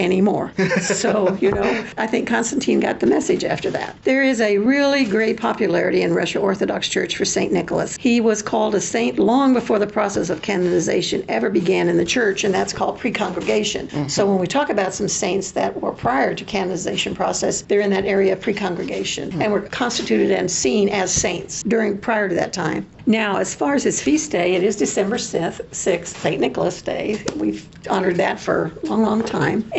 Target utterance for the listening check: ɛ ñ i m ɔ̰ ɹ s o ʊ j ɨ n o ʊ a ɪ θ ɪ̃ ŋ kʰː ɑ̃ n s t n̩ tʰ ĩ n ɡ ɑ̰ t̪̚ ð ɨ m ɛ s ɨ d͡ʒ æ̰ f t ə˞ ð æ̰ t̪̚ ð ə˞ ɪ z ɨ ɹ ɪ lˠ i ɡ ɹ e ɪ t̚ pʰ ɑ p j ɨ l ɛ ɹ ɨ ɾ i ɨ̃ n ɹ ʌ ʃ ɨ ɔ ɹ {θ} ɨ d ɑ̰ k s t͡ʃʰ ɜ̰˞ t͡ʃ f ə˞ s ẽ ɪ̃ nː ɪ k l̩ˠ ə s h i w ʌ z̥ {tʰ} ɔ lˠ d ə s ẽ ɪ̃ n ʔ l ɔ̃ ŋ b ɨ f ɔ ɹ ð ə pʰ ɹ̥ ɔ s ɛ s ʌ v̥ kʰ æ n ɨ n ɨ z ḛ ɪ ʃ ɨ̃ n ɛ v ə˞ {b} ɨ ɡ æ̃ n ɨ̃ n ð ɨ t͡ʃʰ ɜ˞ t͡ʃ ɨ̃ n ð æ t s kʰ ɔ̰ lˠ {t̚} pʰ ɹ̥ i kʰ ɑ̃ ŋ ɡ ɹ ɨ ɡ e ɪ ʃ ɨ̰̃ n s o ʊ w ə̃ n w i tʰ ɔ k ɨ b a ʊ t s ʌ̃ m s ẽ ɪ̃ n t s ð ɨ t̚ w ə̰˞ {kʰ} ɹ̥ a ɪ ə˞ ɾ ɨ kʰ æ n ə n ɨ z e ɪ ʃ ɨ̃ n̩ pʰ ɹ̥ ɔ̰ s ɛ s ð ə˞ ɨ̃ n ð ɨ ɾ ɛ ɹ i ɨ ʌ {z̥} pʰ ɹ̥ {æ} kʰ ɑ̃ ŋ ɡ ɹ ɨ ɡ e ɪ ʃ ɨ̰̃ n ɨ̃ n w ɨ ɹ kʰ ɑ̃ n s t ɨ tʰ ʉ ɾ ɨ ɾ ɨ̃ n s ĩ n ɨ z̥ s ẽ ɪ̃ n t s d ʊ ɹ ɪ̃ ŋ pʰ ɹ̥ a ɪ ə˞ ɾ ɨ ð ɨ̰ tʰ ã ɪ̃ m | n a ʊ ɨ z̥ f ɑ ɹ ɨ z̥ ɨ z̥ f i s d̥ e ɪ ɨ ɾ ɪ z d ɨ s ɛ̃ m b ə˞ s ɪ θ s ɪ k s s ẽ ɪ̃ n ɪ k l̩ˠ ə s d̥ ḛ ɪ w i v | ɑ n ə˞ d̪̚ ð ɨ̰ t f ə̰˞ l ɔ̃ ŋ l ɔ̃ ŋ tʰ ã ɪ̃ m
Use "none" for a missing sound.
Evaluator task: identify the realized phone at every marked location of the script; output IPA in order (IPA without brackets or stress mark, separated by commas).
θ, kʰ, b, d̚, pʰ, v̥, i